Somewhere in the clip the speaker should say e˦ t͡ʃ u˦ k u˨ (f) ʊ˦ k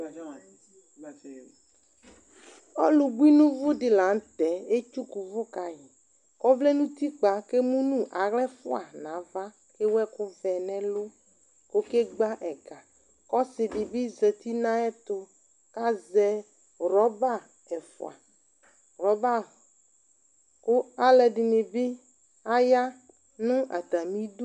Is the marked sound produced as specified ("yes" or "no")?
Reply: no